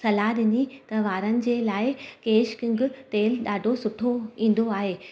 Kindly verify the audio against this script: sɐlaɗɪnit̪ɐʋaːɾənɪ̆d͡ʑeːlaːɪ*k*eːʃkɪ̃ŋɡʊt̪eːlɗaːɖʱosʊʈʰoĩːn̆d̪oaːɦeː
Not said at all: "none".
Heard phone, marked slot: k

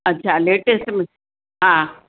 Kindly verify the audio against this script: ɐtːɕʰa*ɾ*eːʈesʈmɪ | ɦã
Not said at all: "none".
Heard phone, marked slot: l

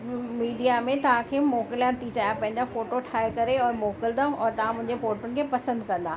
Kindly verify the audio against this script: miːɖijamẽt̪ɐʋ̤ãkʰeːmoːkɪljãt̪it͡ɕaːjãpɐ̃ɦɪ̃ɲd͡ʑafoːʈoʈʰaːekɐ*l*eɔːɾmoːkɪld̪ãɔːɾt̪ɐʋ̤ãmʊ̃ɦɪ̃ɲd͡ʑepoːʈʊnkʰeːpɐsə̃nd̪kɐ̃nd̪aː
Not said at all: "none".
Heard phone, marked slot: ɾ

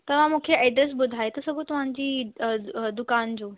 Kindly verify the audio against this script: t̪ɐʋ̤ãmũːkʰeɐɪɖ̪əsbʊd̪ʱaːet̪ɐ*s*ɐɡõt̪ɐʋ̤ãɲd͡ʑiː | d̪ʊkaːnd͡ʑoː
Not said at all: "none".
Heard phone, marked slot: s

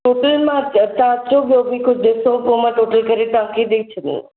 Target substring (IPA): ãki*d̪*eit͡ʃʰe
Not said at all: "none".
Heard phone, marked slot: d̪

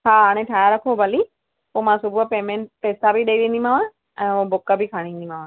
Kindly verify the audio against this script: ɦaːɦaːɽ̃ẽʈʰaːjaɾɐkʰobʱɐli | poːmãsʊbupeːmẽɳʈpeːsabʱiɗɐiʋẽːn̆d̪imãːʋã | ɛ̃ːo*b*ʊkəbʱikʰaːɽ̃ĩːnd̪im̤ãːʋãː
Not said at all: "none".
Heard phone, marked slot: b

